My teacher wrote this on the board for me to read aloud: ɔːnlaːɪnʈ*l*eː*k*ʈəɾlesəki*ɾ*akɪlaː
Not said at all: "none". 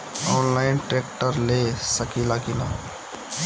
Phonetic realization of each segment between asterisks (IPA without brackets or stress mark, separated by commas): ɾ, k, l